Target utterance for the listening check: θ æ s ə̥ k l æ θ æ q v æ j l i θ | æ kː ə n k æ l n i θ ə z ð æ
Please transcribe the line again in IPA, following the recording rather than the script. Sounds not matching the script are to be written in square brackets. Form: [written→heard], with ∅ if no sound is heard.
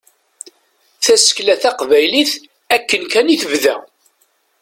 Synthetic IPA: θ æ s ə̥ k l æ θ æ q v æ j l i θ | æ kː ə n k æ [l→∅] n i θ ə [z→v] ð æ